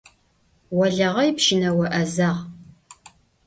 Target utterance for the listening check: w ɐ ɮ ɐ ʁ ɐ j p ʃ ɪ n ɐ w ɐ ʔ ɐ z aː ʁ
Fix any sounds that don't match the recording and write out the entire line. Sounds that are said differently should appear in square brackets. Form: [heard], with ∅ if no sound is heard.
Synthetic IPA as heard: w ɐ ɮ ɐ ʁ ɐ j p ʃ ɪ n ɐ w ɐ ʔ ɐ z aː ʁ